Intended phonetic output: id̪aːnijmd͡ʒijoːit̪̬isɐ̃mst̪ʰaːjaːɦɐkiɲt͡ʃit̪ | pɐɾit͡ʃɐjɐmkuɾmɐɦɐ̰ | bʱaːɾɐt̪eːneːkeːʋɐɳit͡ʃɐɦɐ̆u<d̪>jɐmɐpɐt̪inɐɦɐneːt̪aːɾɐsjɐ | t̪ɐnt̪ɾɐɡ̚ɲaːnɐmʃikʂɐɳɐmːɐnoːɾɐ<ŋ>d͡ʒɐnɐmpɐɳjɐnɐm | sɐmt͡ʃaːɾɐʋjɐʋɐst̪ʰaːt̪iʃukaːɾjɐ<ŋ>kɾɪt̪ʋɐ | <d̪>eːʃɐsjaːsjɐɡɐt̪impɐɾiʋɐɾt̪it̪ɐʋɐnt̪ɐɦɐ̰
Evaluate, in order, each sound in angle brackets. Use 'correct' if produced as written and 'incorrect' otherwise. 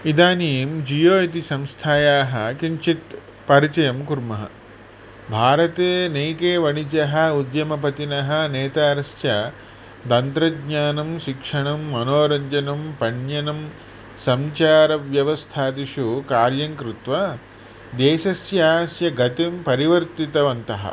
correct, incorrect: ɲ, correct, correct

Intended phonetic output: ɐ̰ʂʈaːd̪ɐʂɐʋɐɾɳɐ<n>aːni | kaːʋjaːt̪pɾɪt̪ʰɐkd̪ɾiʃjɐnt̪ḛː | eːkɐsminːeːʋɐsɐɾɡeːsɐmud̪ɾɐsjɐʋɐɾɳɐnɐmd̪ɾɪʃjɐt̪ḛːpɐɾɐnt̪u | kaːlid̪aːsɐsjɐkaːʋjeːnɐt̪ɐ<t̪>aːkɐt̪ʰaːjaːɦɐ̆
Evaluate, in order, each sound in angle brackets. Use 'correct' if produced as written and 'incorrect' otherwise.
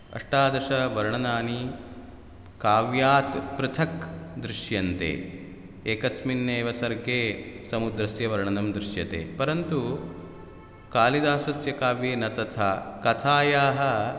correct, incorrect: t̪ʰ

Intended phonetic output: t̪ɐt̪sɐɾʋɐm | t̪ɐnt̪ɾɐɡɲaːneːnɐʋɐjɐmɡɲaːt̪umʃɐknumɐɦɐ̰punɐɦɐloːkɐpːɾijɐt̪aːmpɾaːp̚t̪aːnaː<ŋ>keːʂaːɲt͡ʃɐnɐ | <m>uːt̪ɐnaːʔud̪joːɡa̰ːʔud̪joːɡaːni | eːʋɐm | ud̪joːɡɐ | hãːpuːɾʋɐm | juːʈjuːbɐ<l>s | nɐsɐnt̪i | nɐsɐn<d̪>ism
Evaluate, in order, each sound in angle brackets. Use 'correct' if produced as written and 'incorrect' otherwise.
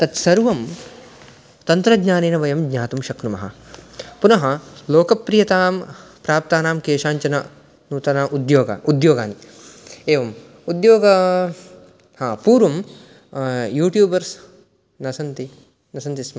incorrect: m, incorrect: n, incorrect: ɾ, incorrect: t̪

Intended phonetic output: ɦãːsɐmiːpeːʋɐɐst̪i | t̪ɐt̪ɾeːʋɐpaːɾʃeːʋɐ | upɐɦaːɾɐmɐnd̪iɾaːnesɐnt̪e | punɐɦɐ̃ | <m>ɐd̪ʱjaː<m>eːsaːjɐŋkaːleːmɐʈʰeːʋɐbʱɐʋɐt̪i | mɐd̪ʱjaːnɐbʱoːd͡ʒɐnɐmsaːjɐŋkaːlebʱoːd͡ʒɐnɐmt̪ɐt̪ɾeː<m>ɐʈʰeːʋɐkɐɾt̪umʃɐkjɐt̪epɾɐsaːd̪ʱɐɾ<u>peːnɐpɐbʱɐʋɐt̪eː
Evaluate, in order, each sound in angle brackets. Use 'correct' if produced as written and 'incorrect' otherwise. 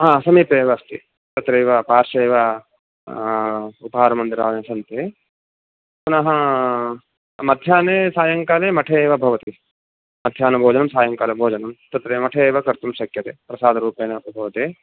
correct, incorrect: n, correct, incorrect: uː

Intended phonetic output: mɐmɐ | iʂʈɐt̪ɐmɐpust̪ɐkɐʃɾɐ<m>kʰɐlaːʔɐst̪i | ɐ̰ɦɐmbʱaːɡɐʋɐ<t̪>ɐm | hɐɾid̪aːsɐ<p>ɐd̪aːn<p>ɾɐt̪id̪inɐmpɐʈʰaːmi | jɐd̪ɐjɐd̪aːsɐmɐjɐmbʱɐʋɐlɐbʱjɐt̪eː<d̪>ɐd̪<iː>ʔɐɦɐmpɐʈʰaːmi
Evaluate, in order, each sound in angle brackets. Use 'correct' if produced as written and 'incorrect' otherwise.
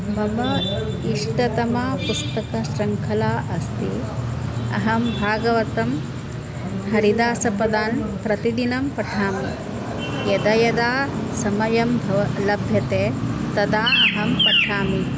incorrect: ŋ, correct, correct, correct, incorrect: t̪, incorrect: aː

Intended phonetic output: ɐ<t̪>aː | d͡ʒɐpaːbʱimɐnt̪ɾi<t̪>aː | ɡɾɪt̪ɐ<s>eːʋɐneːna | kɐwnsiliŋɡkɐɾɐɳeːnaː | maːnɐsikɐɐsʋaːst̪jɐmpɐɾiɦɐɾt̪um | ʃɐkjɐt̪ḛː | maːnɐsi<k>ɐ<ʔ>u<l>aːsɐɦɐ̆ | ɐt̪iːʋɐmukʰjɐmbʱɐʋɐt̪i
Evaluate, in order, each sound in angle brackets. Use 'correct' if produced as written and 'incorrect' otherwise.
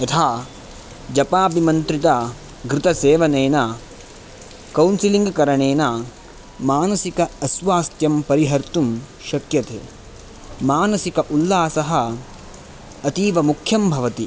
incorrect: t̪ʰ, correct, correct, correct, correct, incorrect: lː

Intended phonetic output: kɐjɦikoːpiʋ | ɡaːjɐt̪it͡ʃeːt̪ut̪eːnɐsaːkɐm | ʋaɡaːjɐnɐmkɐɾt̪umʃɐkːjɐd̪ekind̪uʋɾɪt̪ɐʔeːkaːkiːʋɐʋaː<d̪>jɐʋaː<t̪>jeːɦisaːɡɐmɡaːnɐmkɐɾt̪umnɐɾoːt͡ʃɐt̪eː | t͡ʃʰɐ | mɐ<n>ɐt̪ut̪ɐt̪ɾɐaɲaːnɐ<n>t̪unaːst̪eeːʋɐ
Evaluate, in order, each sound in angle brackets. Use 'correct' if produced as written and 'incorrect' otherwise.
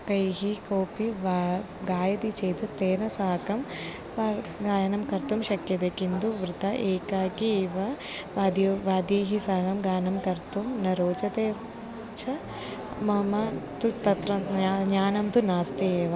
correct, incorrect: d̪, incorrect: m, incorrect: m

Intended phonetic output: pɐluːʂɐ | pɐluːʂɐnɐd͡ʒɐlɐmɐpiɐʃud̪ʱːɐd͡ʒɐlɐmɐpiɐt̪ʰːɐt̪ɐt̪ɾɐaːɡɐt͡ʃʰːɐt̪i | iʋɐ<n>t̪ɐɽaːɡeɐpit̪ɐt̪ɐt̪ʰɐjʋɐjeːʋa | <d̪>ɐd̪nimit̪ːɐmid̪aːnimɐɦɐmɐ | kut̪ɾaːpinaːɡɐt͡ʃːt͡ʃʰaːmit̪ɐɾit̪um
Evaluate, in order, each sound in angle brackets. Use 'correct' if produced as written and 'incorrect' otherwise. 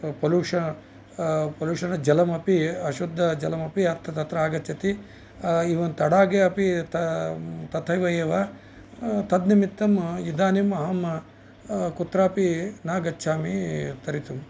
correct, incorrect: t̪

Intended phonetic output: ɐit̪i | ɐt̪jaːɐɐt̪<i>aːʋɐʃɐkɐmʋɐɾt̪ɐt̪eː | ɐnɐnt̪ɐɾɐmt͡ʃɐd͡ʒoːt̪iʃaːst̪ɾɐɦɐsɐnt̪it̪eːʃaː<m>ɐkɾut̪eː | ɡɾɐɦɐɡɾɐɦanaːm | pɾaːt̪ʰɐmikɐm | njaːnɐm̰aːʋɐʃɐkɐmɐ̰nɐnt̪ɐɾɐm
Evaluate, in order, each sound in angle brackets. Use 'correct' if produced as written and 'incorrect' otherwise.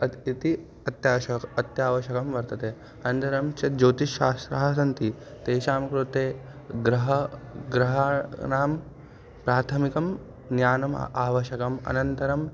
incorrect: j, correct

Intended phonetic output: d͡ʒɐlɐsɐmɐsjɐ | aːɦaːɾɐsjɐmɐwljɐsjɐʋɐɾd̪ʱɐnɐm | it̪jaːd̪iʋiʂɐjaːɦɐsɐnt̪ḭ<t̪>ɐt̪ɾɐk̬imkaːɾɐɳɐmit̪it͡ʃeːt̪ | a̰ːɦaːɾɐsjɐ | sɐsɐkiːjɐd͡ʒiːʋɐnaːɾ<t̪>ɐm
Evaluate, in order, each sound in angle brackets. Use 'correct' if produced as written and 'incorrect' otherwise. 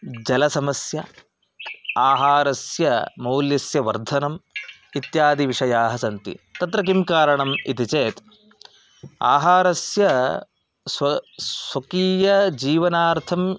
correct, incorrect: t̪ʰ

